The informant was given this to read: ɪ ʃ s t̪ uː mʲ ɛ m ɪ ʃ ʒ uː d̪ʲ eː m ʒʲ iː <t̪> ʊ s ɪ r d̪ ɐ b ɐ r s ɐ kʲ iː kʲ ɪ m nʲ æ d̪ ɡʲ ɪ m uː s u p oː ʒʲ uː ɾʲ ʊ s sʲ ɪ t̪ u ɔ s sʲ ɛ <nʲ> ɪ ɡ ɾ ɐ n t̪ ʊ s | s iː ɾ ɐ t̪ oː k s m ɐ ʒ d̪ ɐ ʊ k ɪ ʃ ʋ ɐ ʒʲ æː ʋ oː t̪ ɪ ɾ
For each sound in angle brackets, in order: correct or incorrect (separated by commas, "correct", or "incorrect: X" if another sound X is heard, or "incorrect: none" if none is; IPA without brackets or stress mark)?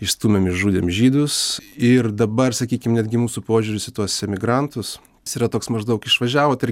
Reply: incorrect: d̪, incorrect: mʲ